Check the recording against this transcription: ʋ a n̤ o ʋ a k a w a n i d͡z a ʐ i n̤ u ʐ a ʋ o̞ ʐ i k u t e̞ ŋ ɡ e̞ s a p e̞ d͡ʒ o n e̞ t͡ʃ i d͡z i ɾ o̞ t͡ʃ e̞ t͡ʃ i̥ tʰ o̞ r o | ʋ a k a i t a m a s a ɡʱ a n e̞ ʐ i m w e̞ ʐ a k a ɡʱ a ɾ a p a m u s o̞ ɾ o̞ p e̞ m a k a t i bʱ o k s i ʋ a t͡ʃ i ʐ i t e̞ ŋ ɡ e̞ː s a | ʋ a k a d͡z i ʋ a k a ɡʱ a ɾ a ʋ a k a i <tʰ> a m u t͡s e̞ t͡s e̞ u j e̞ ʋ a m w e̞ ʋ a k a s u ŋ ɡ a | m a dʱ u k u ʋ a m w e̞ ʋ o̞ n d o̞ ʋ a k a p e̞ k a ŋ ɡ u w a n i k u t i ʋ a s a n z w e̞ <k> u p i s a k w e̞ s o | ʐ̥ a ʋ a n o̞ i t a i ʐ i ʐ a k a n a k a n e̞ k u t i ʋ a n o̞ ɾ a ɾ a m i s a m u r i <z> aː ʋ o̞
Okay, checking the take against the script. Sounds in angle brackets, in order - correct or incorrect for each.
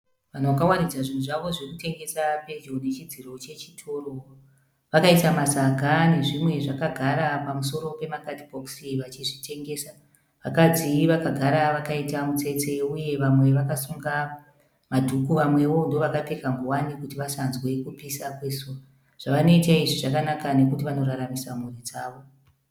incorrect, correct, incorrect

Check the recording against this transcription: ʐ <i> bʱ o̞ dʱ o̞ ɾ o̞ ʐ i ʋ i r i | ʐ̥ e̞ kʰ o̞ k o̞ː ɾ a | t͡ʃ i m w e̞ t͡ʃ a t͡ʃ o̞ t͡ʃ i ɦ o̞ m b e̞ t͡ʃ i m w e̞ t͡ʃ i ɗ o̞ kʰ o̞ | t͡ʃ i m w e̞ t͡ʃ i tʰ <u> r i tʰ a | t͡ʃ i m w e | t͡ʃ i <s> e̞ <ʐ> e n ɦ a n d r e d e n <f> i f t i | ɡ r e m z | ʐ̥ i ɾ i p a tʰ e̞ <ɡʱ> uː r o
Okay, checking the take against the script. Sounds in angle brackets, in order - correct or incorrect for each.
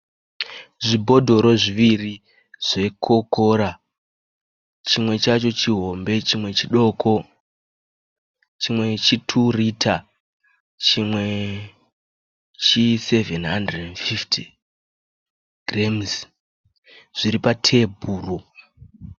correct, correct, correct, incorrect, correct, incorrect

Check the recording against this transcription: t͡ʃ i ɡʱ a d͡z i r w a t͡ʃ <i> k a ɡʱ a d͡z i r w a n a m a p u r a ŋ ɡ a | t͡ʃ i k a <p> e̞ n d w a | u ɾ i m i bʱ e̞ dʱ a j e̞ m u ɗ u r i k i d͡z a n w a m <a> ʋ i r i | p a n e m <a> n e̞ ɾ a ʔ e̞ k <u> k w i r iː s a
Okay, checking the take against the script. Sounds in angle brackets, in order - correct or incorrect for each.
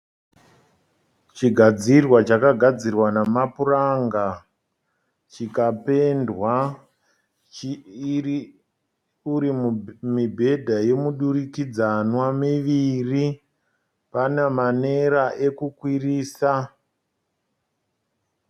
incorrect, correct, incorrect, correct, correct

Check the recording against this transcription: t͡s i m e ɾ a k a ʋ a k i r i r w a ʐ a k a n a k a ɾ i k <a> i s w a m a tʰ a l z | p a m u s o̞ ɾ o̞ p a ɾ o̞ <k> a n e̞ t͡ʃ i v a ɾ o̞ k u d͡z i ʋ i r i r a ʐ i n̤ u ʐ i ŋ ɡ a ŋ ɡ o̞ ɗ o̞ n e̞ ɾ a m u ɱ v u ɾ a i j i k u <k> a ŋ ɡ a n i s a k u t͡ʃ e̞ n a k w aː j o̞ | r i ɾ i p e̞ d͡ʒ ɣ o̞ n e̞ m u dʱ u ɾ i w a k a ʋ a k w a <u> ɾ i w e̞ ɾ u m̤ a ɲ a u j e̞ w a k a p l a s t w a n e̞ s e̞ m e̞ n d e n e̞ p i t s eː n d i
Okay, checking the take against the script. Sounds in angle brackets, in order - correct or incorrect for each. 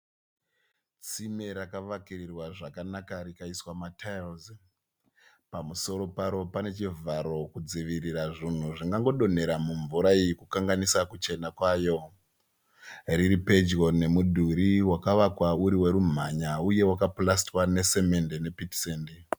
correct, incorrect, correct, correct

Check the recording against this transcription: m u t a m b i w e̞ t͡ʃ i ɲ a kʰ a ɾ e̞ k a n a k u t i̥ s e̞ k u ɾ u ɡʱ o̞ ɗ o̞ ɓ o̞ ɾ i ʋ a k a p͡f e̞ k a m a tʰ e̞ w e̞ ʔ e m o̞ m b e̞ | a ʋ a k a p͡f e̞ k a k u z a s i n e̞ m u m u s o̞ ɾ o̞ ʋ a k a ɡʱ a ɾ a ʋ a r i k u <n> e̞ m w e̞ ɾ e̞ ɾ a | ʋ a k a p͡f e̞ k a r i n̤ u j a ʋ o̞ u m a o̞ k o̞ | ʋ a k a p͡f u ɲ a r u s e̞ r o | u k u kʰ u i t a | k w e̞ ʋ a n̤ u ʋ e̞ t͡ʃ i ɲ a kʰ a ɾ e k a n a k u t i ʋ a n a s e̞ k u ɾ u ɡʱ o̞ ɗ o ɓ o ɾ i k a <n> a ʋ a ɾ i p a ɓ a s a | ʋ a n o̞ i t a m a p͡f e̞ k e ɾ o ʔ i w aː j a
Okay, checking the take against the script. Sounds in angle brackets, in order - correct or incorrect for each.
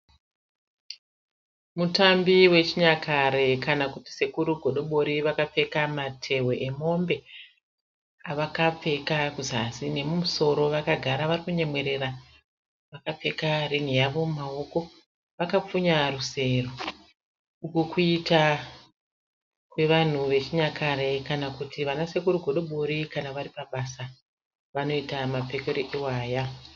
incorrect, correct

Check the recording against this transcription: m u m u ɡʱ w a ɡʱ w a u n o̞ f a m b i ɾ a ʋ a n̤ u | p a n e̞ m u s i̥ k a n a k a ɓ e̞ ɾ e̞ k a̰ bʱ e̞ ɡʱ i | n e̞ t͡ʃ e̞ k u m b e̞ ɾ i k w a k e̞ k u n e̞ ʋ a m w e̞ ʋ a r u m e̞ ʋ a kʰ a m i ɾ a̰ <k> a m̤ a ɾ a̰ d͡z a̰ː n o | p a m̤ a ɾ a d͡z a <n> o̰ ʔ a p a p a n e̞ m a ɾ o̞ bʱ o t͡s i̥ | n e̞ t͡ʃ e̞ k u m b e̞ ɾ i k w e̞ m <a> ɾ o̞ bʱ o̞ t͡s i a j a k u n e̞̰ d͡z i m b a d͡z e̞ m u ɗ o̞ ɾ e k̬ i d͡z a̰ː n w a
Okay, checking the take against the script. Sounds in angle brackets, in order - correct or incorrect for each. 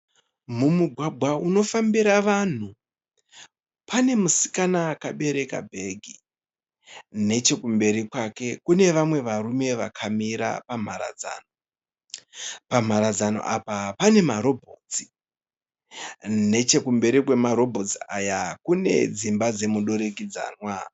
incorrect, correct, correct

